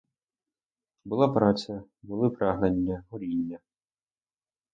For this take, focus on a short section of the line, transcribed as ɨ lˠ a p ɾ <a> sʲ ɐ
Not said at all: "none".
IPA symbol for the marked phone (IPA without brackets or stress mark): a